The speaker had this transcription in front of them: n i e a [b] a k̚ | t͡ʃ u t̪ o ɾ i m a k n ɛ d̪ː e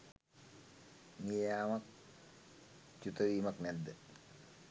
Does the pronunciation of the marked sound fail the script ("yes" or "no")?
yes